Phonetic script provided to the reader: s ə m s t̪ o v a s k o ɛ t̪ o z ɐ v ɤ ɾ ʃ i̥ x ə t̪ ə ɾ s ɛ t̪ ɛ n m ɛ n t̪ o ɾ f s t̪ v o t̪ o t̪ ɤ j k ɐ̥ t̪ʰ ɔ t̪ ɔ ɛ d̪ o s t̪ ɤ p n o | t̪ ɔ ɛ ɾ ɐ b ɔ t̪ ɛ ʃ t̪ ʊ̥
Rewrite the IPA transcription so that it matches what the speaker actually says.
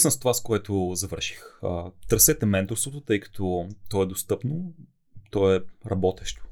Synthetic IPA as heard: s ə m s t̪ o v a s k o ɛ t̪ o z ɐ v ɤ ɾ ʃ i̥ x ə t̪ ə ɾ s ɛ t̪ ɛ m ɛ n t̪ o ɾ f s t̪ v o t̪ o t̪ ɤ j k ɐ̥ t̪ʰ ɔ t̪ ɔ ɛ d̪ o s t̪ ɤ p n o | t̪ ɔ ɛ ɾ ɐ b ɔ t̪ ɛ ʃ t̪ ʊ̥